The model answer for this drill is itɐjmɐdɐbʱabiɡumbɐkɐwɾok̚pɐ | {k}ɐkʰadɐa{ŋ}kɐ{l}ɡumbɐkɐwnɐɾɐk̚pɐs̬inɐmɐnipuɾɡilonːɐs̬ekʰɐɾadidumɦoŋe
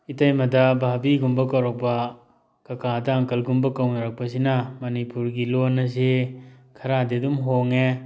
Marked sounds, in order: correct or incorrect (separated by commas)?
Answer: correct, correct, correct